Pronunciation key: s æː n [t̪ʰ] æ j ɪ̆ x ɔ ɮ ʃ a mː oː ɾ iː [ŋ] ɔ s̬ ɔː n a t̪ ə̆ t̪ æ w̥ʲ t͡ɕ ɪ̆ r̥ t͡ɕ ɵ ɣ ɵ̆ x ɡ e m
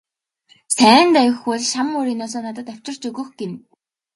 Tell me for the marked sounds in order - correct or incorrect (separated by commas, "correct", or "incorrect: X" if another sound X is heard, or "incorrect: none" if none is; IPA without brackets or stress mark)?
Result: incorrect: t̪, incorrect: n